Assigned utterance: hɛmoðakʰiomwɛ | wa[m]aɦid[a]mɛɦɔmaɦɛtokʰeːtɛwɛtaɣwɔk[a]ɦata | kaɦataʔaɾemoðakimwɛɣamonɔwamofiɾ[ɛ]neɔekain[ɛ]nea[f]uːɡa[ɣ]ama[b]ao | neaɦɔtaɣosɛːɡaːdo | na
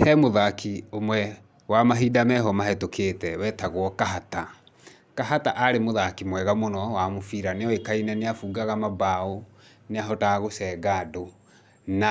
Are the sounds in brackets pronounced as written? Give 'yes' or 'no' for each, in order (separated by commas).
yes, yes, yes, no, yes, yes, yes, yes